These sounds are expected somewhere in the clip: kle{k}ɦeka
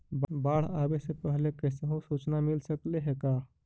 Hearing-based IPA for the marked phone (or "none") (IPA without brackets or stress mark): none